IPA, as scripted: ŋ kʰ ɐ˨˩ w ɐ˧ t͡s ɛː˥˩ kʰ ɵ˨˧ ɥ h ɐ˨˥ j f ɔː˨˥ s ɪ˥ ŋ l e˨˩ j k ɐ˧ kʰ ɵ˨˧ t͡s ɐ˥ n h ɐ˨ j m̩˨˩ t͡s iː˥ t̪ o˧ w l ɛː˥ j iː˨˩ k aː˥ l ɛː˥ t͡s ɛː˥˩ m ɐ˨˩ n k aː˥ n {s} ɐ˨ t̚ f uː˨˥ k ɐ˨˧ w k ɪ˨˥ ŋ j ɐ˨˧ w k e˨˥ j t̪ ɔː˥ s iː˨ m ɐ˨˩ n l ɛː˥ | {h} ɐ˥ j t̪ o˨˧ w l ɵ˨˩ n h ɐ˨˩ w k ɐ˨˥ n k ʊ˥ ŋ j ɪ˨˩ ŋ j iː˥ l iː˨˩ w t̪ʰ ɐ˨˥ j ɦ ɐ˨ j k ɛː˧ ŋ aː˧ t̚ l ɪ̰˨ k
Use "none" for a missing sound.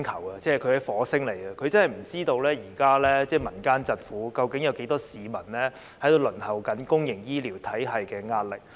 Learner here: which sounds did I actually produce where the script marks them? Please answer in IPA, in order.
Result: t͡s, h

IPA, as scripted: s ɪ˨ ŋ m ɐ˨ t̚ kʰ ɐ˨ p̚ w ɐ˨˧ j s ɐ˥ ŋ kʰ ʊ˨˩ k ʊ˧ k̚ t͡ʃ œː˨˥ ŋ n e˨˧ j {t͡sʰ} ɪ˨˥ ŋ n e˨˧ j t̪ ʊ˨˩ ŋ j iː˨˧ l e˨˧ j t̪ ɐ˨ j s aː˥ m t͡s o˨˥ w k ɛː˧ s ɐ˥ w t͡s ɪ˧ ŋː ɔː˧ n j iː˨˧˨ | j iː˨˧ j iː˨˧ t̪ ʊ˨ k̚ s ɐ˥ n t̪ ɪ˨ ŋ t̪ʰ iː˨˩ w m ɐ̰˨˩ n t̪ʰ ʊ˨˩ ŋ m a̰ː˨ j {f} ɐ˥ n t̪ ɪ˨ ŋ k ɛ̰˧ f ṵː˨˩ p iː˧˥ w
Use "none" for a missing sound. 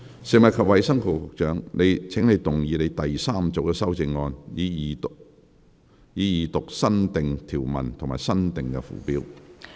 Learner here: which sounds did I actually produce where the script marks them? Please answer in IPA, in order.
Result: t͡sʰ, s

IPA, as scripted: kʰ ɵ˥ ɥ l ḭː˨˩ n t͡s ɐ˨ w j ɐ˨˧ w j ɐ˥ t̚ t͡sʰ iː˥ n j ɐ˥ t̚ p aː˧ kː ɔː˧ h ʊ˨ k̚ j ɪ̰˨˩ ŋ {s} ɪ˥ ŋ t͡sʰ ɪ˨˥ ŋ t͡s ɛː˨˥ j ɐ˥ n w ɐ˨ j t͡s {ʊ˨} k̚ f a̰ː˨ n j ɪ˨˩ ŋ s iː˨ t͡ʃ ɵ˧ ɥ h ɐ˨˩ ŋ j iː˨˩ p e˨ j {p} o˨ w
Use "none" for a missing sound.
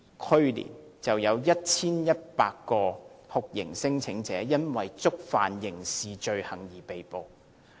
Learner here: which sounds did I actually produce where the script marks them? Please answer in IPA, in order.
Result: s, ʊ˥, p

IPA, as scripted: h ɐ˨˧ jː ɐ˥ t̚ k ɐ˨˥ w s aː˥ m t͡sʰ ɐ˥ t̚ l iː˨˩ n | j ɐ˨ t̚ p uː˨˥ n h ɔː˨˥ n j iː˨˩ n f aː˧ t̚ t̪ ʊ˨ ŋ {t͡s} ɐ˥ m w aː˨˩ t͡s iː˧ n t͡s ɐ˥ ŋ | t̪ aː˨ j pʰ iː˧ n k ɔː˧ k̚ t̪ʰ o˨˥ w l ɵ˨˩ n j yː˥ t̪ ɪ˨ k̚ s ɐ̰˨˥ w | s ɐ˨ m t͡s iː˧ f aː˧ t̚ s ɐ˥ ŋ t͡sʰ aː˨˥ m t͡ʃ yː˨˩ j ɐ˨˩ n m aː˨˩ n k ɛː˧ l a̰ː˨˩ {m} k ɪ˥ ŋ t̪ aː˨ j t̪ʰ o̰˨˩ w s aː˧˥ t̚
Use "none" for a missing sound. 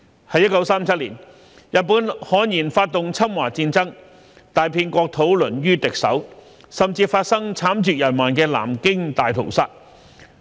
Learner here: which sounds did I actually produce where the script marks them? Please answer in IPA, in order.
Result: t͡sʰ, m

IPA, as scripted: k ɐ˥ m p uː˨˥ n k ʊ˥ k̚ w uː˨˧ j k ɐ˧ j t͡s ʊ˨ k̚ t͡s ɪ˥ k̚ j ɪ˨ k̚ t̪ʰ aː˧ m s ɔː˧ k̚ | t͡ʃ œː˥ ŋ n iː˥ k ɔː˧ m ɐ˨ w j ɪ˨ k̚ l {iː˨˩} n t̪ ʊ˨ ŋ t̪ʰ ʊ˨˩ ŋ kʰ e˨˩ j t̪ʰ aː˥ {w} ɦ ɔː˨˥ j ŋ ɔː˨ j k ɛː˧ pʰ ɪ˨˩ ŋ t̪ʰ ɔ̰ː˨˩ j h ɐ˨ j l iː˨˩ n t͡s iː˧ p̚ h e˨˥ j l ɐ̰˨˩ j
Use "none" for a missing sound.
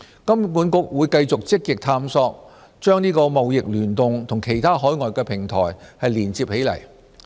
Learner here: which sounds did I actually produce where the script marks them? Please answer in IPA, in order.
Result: yː˨˩, none

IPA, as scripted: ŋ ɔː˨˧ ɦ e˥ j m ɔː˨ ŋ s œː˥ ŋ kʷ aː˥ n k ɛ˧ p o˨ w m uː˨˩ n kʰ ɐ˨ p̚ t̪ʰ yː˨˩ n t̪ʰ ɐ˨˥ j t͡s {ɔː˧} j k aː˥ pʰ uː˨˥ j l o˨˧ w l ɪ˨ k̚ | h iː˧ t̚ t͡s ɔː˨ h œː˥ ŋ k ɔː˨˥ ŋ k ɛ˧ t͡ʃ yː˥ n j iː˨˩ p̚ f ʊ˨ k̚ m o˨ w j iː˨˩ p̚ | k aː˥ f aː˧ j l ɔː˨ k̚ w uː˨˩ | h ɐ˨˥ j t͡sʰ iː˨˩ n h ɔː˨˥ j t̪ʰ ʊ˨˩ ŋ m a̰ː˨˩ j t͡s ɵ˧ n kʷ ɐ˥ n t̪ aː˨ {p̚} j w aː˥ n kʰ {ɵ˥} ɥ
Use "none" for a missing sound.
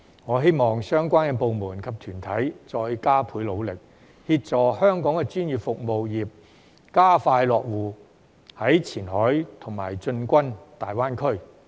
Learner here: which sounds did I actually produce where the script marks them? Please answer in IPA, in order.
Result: ɔː˧, none, ɵ˥

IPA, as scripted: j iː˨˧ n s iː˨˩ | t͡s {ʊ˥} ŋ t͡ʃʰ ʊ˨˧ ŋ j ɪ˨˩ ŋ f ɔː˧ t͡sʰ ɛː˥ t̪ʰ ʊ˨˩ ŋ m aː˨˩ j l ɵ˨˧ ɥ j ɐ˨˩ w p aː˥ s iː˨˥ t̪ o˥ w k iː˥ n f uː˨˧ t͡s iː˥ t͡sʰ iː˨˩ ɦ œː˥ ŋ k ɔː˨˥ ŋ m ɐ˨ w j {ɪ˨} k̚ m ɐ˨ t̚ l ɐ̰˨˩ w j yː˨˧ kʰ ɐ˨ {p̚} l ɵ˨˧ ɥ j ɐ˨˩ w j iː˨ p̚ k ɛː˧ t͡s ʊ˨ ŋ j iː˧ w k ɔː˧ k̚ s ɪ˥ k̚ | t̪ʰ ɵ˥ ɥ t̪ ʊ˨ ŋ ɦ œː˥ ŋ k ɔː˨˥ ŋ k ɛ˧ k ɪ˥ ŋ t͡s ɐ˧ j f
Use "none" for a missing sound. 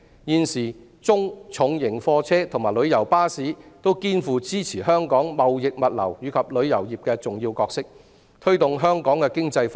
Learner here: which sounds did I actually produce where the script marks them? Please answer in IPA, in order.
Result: ʊ˥, ɪ˨, p̚

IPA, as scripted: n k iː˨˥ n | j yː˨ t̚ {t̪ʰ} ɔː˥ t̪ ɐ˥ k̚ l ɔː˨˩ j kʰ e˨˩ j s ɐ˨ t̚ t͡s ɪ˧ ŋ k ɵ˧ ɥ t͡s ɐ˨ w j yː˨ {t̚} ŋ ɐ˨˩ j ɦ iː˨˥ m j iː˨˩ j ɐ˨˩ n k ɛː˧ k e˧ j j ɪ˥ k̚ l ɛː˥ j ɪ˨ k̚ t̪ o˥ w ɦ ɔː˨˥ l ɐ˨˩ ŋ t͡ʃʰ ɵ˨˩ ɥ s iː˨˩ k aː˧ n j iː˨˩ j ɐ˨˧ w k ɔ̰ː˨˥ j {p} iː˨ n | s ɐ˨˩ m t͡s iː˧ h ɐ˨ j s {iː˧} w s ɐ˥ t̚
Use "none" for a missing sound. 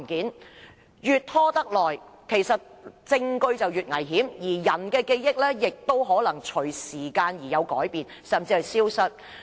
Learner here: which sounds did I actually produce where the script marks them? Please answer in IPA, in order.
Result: t̪ʰ, t̚, p, iː˥

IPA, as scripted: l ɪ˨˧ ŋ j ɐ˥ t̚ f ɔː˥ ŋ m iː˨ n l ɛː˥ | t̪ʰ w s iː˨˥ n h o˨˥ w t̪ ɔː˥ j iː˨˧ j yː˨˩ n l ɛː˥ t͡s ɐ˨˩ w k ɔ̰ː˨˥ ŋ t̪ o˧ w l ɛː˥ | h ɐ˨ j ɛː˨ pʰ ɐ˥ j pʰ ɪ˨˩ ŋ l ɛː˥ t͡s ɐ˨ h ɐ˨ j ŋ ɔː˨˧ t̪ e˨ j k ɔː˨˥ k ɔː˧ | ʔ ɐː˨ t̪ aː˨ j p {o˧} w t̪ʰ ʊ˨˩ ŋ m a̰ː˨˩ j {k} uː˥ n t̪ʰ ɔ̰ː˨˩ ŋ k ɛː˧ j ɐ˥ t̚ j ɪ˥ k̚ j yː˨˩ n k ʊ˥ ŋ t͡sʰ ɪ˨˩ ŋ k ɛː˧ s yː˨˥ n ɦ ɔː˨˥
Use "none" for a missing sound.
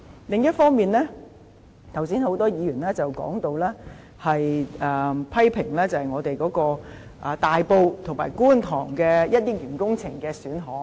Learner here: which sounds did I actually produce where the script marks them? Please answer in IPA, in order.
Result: o˧, k

